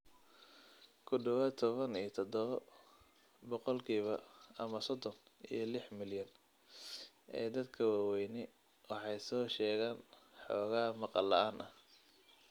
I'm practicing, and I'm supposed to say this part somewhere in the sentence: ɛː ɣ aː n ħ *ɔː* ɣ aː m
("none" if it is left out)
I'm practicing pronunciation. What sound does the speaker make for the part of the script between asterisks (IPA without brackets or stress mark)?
ɔː